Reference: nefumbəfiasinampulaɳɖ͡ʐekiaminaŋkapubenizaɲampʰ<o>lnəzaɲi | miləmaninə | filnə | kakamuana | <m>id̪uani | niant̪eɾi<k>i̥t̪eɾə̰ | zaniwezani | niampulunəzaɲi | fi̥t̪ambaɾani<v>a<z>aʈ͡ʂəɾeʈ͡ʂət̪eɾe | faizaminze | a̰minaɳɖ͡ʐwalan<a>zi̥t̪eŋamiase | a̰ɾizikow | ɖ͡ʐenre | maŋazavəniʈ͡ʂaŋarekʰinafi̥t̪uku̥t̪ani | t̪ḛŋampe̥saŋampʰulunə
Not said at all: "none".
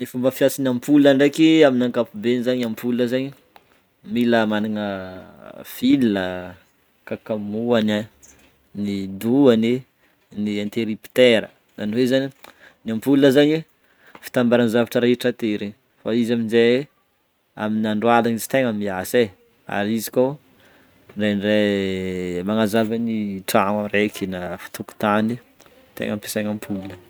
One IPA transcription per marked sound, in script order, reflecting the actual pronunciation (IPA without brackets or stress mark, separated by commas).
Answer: u, n, p, z, v, i